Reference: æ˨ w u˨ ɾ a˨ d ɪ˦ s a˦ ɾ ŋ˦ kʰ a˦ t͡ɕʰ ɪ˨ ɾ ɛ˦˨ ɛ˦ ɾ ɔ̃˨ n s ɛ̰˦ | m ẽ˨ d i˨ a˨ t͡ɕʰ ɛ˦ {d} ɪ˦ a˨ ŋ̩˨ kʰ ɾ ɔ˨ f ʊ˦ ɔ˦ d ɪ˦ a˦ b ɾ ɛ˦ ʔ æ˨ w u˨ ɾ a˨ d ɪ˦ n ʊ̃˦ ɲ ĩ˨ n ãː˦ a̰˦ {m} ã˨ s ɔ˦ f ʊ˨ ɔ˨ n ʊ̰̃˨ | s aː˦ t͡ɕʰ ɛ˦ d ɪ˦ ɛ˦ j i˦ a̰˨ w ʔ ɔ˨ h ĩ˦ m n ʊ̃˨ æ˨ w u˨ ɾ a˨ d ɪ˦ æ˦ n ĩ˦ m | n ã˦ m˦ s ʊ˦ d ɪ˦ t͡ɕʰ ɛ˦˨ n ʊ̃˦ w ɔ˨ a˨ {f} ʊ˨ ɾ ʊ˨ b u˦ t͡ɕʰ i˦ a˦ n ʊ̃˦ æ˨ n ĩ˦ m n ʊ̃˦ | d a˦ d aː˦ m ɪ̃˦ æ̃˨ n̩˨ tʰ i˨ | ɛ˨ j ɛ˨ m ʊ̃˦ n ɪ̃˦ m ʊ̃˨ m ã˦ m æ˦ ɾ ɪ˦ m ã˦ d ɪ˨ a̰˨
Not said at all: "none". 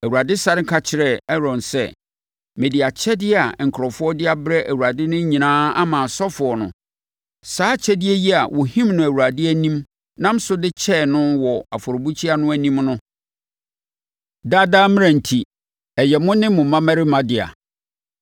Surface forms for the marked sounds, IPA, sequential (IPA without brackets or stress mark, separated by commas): d, m, f